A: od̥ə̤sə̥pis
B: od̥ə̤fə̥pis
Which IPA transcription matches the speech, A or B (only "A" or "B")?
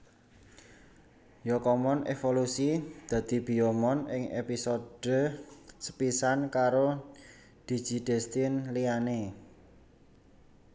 A